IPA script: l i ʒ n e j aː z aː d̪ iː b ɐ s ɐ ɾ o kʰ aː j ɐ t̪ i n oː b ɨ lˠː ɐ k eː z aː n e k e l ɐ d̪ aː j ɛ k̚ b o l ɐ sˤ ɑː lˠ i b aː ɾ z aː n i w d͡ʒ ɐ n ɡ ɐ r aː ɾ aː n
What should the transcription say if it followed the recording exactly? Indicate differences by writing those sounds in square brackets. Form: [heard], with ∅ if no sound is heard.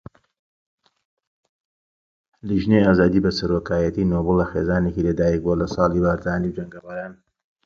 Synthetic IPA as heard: l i ʒ n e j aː z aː d̪ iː b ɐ s ɐ ɾ o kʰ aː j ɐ t̪ i n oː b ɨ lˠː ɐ [x] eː z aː n e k [i] l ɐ d̪ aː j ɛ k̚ b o l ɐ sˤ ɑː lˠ i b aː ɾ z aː n i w d͡ʒ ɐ [ŋ] ɡ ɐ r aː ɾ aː n